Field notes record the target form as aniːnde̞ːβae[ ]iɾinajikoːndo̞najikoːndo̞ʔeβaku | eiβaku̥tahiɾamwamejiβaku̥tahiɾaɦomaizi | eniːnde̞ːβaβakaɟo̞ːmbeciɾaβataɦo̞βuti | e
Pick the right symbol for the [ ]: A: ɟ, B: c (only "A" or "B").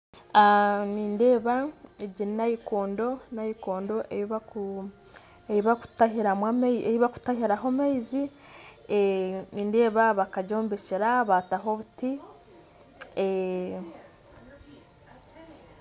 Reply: A